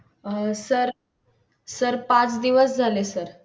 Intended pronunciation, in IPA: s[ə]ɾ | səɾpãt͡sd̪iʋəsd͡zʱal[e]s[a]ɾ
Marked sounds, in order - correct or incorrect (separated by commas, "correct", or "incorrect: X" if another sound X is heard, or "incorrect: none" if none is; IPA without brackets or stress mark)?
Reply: correct, correct, incorrect: ə